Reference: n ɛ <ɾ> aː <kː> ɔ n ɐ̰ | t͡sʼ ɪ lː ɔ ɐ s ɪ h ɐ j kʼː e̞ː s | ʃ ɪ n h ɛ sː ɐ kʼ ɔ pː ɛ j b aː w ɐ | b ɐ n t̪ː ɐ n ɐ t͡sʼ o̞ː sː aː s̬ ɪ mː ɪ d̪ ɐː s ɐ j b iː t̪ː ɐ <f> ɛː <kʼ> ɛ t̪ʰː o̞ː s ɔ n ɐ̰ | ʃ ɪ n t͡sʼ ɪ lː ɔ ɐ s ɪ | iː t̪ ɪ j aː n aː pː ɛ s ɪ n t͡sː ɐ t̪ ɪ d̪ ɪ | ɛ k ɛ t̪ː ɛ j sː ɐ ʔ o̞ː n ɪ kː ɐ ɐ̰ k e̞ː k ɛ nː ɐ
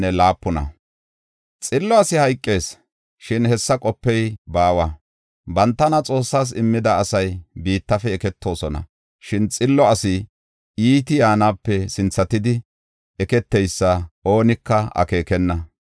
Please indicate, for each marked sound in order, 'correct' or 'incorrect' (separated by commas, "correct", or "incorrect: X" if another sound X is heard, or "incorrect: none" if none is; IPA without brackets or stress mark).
incorrect: l, incorrect: pː, correct, incorrect: k